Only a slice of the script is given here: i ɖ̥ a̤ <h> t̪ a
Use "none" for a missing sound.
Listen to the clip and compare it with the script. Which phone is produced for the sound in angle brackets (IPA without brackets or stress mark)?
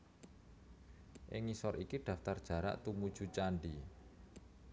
f